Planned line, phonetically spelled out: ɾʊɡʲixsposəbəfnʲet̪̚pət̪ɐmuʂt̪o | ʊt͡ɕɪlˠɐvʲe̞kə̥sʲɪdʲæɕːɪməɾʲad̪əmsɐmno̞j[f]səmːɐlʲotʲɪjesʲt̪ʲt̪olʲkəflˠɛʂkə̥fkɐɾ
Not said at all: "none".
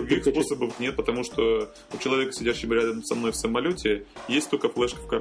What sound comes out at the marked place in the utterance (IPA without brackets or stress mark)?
f